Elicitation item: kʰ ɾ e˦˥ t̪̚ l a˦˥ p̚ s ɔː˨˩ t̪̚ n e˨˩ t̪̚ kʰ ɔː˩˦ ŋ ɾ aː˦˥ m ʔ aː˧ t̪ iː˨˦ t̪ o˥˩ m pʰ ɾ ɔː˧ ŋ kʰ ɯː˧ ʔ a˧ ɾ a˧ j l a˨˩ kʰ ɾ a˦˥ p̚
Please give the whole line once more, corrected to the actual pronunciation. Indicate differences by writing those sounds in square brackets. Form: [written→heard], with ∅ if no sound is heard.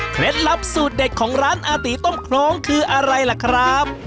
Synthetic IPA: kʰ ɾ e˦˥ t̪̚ l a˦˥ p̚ s [ɔː˨˩→uː˨˩] t̪̚ [n→d] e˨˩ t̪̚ kʰ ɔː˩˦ ŋ ɾ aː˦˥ [m→n] ʔ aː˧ t̪ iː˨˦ t̪ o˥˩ m [pʰ→kʰ] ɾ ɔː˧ ŋ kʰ ɯː˧ ʔ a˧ ɾ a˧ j l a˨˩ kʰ ɾ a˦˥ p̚